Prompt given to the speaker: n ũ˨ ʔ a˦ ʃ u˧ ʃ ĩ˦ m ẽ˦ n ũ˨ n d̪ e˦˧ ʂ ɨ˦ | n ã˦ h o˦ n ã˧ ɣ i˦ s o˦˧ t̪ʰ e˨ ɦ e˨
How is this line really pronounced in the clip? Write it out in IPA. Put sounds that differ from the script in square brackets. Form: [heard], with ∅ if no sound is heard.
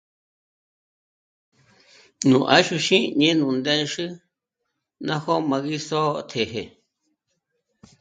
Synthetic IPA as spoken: n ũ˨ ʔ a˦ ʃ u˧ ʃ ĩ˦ [ɲ] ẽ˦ n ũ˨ n d̪ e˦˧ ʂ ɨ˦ | n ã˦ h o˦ [m] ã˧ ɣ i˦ s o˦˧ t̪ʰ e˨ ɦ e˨